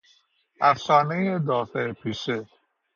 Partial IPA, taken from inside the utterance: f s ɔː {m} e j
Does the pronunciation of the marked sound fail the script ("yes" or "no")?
yes